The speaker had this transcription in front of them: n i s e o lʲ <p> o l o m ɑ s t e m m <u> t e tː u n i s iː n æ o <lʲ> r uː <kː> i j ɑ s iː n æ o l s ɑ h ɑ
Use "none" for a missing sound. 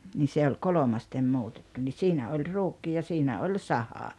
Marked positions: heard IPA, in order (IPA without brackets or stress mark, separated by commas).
k, uː, lʲ, kː